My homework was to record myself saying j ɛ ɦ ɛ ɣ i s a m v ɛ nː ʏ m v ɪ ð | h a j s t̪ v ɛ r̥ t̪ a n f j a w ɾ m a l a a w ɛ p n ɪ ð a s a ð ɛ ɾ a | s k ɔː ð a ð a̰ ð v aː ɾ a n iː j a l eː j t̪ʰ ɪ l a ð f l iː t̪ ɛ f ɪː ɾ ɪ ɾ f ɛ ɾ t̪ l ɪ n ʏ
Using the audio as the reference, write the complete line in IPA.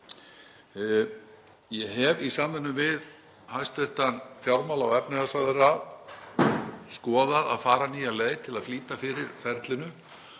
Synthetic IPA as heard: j ɛ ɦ ɛ v i s a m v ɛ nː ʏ m v ɪ ð | h a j s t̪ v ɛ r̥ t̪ a n f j a w ɾ m a l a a w ɛ p n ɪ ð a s a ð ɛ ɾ a | s k ɔː ð a ð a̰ ð f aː ɾ a n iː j a l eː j t̪ʰ ɪ l a ð f l iː t̪ a f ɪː ɾ ɪ ɾ f ɛ ɾ t̪ l ɪ n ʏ